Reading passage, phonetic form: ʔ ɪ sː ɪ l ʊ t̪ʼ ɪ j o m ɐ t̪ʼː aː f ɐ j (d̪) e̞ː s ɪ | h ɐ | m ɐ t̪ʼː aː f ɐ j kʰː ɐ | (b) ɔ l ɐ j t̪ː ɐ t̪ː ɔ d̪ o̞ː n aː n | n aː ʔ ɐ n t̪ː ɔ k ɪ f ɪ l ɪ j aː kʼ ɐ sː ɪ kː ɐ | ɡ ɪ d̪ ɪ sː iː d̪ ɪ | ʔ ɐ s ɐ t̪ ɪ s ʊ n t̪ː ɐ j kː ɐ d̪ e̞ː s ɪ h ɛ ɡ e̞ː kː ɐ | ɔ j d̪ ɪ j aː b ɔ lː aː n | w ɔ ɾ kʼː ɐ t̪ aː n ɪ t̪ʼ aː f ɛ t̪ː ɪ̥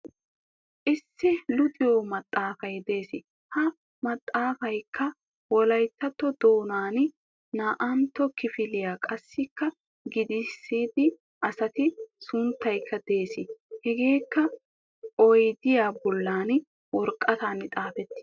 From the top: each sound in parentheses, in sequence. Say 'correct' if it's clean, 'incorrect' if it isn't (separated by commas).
correct, incorrect